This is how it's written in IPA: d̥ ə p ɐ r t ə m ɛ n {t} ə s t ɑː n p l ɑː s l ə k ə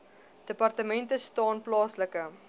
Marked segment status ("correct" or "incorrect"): correct